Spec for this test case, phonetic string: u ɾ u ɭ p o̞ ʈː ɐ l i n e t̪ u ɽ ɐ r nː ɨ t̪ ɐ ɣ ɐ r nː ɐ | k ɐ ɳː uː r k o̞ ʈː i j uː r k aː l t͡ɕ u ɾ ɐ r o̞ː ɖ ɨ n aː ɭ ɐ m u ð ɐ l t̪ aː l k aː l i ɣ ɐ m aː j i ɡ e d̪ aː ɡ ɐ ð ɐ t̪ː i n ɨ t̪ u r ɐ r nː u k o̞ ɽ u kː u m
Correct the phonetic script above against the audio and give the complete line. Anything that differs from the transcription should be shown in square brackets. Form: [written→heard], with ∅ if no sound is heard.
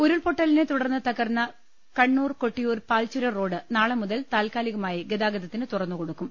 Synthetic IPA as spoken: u ɾ u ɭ p o̞ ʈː ɐ l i n e t̪ u ɽ ɐ r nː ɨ t̪ ɐ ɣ ɐ r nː ɐ | k ɐ ɳː uː r k o̞ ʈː i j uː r [k→p] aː l t͡ɕ u ɾ ɐ r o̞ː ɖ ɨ n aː ɭ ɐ m u ð ɐ l t̪ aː l k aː l i ɣ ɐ m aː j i ɡ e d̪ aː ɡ ɐ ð ɐ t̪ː i n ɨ t̪ u r ɐ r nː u k o̞ ɽ u kː u m